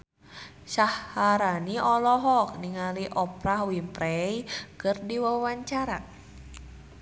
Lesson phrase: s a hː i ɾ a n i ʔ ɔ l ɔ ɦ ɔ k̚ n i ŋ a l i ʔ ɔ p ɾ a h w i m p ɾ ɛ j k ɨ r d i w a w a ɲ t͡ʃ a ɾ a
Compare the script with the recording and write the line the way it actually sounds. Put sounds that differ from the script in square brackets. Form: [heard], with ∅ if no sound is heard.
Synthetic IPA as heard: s a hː [a] ɾ a n i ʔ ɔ l ɔ ɦ ɔ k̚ n i ŋ a l i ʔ ɔ p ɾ a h w i m p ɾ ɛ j k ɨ r d i w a w a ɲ t͡ʃ a ɾ a